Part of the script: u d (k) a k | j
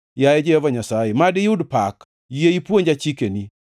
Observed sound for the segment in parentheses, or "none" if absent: p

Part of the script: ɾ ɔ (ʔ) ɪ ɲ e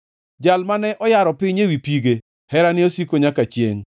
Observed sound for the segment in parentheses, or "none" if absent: p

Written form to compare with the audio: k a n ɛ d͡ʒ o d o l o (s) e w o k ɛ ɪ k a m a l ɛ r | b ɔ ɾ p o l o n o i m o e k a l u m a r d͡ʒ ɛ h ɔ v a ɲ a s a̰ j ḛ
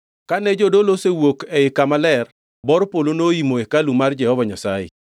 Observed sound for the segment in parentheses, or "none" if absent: s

